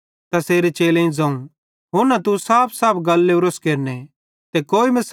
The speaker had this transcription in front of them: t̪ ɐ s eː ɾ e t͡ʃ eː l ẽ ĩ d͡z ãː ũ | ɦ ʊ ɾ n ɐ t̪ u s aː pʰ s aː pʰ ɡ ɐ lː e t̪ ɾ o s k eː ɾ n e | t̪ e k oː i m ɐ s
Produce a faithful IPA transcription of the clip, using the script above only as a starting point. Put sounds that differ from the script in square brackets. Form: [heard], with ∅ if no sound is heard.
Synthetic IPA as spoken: t̪ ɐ s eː ɾ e t͡ʃ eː l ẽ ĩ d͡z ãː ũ | ɦ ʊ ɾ n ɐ t̪ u s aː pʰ s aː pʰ ɡ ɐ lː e [∅] ɾ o s k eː ɾ n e | t̪ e k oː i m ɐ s